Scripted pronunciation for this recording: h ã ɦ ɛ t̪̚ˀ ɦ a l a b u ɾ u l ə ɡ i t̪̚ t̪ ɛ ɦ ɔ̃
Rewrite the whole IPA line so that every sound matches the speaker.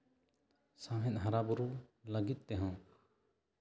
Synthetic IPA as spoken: s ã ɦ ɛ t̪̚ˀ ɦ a ɾ a b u ɾ u l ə ɡ i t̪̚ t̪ ɛ ɦ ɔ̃